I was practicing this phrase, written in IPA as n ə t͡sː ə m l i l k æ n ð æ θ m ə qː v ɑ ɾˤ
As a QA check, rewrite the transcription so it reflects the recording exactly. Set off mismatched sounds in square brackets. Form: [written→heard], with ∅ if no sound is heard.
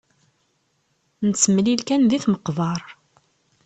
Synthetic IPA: n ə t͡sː ə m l i l k æ n ð [æ→i] θ m ə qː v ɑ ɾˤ